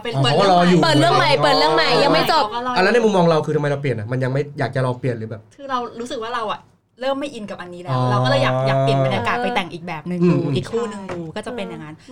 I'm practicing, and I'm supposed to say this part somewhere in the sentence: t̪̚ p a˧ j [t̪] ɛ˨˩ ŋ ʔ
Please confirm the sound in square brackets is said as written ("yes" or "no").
yes